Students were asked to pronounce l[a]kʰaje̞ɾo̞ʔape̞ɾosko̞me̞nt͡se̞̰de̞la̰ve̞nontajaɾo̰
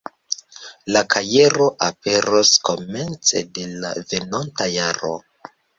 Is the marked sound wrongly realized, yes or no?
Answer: no